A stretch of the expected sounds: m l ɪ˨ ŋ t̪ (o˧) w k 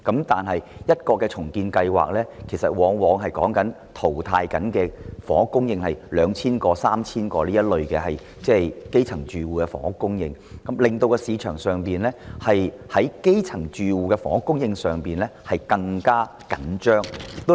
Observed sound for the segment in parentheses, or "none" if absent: o˧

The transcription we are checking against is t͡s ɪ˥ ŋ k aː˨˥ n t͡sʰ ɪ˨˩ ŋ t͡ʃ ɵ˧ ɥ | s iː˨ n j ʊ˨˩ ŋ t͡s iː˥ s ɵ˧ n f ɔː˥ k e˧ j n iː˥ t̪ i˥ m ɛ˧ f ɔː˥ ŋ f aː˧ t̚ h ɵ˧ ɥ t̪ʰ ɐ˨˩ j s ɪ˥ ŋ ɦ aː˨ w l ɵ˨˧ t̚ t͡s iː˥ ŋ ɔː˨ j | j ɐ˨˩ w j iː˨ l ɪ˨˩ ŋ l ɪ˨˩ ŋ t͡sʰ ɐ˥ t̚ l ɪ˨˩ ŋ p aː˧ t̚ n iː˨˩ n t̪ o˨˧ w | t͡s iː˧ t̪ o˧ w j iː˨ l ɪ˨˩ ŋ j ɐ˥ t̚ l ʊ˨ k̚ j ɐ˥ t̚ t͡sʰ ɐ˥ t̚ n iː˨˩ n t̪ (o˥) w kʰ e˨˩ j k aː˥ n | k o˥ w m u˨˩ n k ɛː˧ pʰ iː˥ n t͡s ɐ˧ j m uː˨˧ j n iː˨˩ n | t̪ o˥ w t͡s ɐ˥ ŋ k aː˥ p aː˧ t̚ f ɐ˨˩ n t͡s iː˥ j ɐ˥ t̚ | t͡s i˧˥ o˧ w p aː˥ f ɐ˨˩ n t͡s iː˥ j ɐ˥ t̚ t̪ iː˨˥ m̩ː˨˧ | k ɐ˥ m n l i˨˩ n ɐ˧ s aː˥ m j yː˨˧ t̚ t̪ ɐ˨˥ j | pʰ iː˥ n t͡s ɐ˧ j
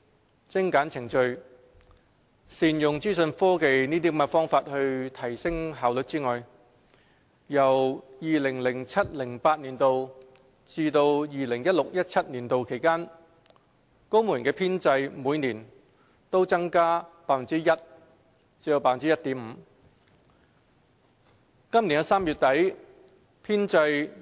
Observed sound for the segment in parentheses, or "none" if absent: o˨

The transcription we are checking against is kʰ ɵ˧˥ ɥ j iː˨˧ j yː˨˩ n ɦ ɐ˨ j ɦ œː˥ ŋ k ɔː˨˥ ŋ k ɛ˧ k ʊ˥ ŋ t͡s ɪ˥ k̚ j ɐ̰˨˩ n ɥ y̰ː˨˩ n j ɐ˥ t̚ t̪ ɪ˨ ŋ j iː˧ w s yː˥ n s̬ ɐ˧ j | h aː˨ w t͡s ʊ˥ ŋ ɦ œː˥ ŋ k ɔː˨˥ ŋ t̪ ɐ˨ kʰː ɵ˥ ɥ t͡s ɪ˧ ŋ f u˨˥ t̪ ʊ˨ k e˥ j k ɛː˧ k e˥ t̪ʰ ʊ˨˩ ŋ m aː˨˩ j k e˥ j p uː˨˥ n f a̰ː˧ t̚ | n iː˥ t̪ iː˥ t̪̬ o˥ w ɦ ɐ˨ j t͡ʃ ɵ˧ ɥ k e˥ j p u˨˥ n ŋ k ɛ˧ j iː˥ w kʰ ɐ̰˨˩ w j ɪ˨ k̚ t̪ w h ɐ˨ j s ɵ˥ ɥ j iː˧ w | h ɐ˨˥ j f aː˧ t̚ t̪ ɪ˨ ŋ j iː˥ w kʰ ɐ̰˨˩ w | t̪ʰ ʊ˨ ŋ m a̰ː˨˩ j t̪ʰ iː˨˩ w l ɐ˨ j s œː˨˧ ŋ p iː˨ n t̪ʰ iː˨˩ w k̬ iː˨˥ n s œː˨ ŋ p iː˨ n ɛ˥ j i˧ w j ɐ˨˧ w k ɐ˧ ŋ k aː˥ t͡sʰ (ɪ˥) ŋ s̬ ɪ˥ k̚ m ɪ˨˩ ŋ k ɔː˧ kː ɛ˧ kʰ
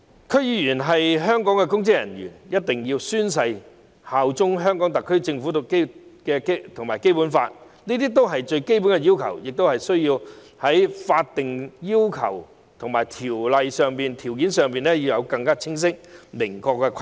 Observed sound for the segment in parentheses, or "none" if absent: ɪ˥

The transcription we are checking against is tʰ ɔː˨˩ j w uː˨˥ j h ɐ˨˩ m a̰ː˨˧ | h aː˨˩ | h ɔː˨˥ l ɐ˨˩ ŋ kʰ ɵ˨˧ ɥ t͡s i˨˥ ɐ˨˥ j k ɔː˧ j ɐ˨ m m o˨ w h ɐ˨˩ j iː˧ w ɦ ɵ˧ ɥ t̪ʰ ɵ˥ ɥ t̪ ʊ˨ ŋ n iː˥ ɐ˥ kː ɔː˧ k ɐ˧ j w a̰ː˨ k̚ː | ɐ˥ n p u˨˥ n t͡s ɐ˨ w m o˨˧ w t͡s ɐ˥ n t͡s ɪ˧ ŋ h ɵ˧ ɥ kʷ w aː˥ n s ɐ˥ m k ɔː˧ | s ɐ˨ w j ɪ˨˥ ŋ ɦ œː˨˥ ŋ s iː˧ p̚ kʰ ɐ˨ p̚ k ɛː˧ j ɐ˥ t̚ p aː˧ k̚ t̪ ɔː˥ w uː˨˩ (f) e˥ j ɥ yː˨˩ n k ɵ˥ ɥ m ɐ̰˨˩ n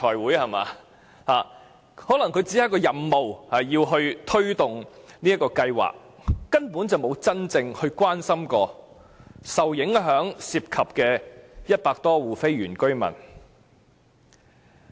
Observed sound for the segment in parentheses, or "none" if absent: f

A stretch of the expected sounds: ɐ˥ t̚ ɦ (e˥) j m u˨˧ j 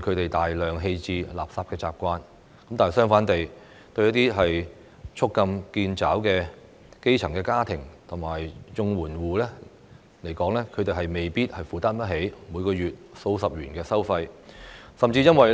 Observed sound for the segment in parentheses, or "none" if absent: e˨˥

